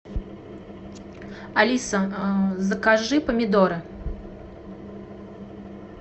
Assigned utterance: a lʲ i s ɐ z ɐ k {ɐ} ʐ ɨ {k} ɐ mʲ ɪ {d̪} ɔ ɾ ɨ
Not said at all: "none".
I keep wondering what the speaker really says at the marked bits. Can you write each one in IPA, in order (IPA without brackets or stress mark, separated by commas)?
a, p, d̪